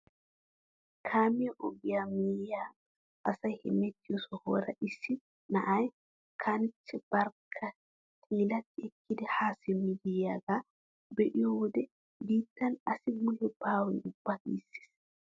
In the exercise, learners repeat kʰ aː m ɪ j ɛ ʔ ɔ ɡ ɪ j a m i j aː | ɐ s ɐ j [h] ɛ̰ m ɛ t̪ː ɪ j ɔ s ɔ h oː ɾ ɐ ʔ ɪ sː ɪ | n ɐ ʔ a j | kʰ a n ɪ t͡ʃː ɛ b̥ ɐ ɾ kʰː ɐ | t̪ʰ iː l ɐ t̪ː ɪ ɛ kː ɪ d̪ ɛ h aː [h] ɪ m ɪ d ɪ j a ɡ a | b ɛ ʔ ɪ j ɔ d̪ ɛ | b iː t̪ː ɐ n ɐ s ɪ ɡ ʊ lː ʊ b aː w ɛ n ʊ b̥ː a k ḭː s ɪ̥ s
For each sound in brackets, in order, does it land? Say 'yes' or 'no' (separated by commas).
yes, no